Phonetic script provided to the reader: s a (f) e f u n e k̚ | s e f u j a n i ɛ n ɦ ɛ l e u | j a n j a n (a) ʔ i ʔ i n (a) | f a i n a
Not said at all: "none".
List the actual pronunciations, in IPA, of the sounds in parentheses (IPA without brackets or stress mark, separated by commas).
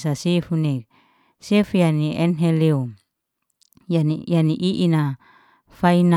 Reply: s, i, a